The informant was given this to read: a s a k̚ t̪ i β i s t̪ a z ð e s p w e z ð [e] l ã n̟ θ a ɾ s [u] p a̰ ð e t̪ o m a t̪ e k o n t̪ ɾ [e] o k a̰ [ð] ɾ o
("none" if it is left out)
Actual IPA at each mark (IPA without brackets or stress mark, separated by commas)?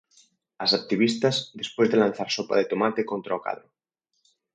e, o, a, ð